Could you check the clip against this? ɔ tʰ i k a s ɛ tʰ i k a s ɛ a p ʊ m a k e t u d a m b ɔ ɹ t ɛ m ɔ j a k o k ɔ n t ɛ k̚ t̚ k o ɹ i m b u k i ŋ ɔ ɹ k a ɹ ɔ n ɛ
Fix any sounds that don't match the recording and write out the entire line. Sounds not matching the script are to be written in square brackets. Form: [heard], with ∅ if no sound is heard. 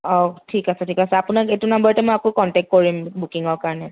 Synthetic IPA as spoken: ɔ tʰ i k a s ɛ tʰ i k a s ɛ a p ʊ [n] a k e t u [n] a m b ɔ ɹ t ɛ m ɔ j a k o k ɔ n t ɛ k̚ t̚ k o ɹ i m b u k i ŋ ɔ ɹ k a ɹ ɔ n ɛ